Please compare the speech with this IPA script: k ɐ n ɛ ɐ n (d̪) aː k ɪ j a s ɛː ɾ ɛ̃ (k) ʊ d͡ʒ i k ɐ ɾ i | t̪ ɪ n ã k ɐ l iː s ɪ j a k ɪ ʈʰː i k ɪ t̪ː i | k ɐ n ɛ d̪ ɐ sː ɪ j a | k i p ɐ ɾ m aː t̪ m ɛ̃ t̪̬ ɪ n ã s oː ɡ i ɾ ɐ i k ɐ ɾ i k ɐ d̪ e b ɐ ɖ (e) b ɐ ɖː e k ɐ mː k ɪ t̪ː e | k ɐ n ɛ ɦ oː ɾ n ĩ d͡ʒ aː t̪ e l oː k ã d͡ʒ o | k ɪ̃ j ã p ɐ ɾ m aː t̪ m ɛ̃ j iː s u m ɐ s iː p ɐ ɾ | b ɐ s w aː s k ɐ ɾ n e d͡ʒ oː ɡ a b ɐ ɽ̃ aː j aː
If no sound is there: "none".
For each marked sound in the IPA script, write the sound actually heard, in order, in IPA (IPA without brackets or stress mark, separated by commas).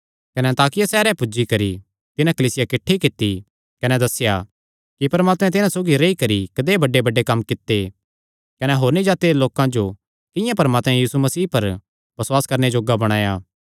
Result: t̪, p, e